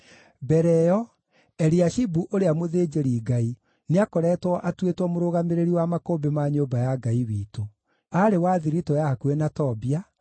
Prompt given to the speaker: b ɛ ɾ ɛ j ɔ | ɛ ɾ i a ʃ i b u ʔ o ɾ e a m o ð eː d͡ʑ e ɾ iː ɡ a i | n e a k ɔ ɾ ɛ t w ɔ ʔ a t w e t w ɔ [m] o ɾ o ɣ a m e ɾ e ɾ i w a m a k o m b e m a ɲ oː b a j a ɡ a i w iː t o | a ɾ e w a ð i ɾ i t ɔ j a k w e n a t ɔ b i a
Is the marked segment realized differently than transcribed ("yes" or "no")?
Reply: no